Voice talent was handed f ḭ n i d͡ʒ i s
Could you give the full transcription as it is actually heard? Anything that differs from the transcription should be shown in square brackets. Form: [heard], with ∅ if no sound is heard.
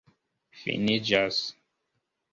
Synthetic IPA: f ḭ n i d͡ʒ [a] s